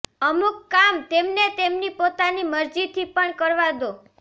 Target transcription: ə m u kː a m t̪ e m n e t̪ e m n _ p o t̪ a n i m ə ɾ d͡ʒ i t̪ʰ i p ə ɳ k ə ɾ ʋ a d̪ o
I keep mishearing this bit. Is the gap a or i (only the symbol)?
i